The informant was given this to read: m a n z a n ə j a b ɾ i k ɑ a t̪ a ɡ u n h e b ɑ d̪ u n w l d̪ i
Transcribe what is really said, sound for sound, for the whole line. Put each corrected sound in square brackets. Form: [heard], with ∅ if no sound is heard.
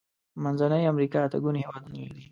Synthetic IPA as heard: m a n z a n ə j a [m] ɾ i k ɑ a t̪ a ɡ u n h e [w] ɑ d̪ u n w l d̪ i